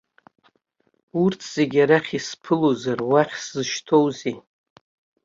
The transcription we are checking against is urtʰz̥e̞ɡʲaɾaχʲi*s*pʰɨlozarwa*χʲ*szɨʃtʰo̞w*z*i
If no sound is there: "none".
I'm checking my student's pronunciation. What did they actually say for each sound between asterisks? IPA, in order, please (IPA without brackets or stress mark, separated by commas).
s, χʲ, z